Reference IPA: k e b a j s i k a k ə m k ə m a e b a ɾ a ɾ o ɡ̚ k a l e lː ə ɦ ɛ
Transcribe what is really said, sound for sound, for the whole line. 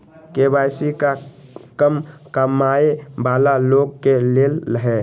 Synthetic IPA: k e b a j s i k a k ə m k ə m a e b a l a l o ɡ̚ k e l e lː ə ɦ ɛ